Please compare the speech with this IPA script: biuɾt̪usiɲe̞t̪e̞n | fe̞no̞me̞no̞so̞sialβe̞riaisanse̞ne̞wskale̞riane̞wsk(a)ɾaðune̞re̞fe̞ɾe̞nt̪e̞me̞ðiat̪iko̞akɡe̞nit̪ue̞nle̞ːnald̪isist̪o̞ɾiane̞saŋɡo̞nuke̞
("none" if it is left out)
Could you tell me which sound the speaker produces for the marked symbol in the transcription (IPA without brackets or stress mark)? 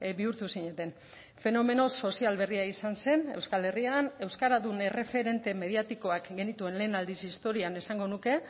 a